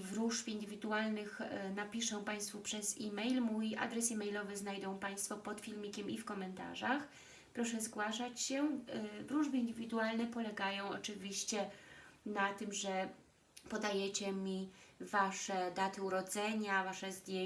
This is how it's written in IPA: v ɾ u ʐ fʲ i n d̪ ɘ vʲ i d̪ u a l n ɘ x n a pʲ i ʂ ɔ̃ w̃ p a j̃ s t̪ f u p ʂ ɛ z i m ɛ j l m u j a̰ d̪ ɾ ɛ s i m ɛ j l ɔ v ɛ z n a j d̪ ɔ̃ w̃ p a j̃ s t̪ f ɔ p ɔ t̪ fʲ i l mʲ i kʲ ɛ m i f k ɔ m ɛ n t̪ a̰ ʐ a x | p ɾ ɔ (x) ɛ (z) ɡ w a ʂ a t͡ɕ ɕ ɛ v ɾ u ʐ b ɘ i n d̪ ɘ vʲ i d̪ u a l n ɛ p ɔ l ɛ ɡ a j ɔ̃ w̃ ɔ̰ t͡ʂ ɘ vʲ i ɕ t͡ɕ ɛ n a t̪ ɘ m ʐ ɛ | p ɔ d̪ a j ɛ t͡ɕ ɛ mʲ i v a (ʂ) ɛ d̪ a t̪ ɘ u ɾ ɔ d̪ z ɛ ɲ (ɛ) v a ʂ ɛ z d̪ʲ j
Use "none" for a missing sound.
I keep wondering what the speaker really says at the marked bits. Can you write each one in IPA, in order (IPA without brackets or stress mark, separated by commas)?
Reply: ʂ, z, ʂ, a